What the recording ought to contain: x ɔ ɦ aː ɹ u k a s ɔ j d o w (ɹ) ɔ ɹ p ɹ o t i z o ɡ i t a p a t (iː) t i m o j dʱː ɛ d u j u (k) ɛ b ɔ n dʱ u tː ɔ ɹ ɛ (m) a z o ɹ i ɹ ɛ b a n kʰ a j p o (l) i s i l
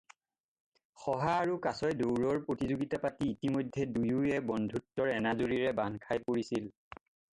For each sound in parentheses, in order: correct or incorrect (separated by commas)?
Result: correct, correct, incorrect, incorrect, incorrect